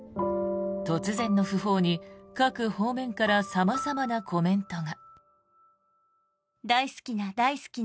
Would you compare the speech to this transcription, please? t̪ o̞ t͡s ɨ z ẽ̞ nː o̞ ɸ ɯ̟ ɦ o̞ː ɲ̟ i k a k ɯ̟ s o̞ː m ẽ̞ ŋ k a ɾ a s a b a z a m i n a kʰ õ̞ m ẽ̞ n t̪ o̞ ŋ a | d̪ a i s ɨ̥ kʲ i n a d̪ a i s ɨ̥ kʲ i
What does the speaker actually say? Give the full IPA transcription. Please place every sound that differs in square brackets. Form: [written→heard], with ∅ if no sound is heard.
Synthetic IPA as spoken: t̪ o̞ t͡s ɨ z ẽ̞ nː o̞ ɸ ɯ̟ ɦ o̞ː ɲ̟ i k a k ɯ̟ [s→h] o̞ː m ẽ̞ ŋ k a ɾ a s a [b→m] a z a m [i→a] n a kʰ [õ̞→o̞] m ẽ̞ n t̪ o̞ ŋ a | d̪ a i s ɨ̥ kʲ i n a d̪ a i s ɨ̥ kʲ i